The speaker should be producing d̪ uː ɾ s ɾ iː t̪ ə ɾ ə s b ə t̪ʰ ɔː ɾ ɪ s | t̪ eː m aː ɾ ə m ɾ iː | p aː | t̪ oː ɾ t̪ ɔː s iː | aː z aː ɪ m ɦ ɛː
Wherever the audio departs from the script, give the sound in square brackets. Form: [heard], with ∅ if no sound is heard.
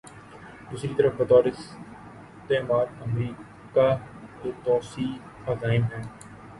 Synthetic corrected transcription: d̪ uː [∅] s ɾ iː t̪ ə ɾ ə [f] b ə [t̪] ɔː ɾ ɪ s | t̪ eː m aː ɾ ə m ɾ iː | [k] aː | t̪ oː [∅] t̪ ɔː s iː | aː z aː ɪ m ɦ ɛː